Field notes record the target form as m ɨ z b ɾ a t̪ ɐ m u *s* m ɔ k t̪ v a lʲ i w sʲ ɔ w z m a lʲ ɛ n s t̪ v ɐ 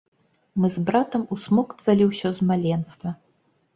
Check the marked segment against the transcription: correct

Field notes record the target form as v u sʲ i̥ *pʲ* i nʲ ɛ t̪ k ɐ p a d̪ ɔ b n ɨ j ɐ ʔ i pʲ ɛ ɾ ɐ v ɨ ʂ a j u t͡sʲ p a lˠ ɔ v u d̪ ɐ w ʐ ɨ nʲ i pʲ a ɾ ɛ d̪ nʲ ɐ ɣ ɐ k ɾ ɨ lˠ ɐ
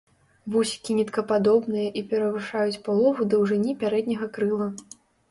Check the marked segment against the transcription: incorrect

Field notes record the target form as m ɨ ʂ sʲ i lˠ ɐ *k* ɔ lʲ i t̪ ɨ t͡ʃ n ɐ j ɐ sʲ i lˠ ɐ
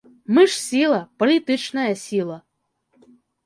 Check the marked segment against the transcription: incorrect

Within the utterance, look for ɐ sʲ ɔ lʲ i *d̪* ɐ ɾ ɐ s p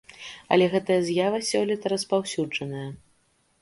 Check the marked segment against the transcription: incorrect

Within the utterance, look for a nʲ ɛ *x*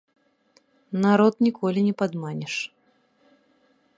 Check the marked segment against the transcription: incorrect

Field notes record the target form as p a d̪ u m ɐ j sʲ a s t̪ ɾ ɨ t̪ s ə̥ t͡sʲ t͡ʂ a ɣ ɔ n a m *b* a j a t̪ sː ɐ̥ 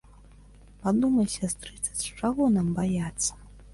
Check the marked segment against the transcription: correct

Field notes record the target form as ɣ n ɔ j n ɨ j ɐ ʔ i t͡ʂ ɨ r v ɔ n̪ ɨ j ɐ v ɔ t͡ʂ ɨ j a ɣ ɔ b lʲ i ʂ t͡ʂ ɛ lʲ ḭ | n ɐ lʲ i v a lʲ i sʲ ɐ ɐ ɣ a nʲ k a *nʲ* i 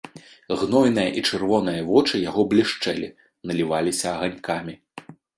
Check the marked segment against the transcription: incorrect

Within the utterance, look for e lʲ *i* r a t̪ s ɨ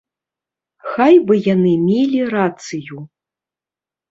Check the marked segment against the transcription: correct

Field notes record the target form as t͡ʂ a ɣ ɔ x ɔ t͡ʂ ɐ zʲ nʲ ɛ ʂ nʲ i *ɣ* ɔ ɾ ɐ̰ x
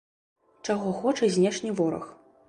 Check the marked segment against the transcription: incorrect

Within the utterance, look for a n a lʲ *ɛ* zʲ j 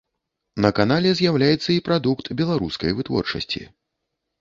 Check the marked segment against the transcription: correct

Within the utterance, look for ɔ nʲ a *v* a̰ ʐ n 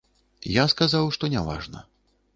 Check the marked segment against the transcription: correct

